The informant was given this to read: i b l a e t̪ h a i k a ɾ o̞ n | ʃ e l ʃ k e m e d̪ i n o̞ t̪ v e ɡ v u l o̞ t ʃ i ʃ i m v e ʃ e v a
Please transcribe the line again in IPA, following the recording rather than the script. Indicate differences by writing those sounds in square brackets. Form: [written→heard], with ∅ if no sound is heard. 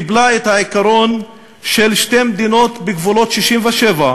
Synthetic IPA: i b l a e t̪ h a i k a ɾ o̞ n | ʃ e l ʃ [k→t] e m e d̪ i n o̞ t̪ [v→b] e ɡ v u l o̞ t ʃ i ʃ i m v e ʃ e v a

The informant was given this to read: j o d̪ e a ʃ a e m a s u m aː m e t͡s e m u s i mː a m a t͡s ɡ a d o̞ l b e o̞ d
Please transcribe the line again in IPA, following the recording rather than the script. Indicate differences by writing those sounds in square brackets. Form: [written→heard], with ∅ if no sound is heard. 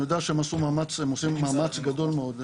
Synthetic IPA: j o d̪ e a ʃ [a→e] e m a s u m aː m [e→a] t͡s e m [u→o] s i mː a m a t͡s ɡ a d o̞ l [b→m] e o̞ d

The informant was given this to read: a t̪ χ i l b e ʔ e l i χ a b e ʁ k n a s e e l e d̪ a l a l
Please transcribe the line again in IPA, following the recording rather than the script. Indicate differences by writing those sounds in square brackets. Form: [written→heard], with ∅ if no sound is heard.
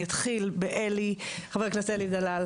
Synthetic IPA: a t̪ χ i l b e ʔ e l i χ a [b→v] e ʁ k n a s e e l [e→i] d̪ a l a l

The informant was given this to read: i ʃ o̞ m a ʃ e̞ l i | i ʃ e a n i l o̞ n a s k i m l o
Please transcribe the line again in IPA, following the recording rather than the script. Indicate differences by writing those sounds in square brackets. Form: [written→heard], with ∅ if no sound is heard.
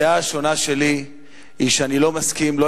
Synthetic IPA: [i→a] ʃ o̞ [m→n] a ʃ e̞ l i | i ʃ e a n i l o̞ [n→m] a s k i m l o

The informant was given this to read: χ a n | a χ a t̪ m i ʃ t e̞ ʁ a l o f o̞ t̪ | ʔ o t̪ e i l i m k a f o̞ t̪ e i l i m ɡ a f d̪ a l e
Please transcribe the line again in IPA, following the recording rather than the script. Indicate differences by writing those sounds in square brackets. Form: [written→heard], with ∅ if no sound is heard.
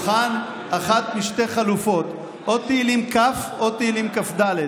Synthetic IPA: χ a n | a χ a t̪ m i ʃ t e̞ [ʁ→χ] a l [o→u] f o̞ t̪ | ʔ o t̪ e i l i m k a f o̞ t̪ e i l i m [ɡ→k] a f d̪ a l e

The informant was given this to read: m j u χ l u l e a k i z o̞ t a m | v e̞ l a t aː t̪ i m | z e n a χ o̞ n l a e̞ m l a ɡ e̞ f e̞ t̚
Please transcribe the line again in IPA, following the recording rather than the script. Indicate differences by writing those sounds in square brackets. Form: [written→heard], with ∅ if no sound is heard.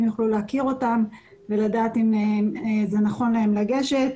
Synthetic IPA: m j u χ l u l e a k i [z→ʁ] o̞ t a m | v e̞ l a [t→d] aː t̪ i m | z e n a χ o̞ n l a e̞ m l a ɡ e̞ [f→ʃ] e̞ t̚

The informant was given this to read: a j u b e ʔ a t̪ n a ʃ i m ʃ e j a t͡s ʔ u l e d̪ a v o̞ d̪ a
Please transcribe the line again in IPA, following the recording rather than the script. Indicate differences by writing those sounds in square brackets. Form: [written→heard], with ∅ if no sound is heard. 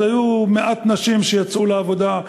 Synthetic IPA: a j u [b→m] e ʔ a t̪ n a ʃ i m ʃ e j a t͡s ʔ u l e [d̪→∅] a v o̞ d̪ a

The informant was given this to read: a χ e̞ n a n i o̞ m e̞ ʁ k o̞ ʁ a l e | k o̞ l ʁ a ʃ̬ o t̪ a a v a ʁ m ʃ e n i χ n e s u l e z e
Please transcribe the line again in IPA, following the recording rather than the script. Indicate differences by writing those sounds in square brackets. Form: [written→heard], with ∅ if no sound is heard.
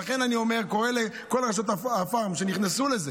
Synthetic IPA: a χ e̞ n a n i o̞ m e̞ ʁ k o̞ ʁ [a→e] l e | k o̞ l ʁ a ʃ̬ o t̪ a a [v→f] a ʁ m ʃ e n i χ n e s u l e z e

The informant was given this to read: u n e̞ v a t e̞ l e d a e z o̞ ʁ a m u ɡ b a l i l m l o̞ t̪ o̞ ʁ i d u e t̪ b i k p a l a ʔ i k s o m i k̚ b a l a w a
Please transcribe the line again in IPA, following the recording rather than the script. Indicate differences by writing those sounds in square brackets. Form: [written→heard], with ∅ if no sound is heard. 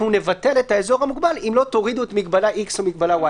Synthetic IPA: u n e̞ v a t e̞ l e [d→t] a e z o̞ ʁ a m u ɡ b a l i [l→∅] m l o̞ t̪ o̞ ʁ i d u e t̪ [b→m] i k [p→b] a l a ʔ i k s o m i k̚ b a l a w a

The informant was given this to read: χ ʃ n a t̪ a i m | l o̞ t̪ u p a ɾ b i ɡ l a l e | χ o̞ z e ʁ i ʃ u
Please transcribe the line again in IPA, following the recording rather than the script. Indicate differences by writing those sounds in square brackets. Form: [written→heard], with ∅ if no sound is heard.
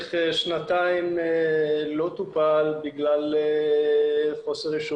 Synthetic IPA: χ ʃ n a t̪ a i m | l o̞ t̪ u p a [ɾ→l] b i ɡ l a l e | χ o̞ [z→s] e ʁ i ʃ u

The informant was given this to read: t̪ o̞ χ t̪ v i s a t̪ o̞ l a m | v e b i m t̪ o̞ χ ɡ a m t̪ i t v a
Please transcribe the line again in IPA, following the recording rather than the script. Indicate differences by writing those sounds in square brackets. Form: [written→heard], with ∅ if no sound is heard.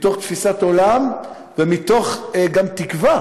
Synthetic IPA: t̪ o̞ χ t̪ [v→f] i s a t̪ o̞ l a m | v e [b→m] i [m→∅] t̪ o̞ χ ɡ a m t̪ i [t→k] v a

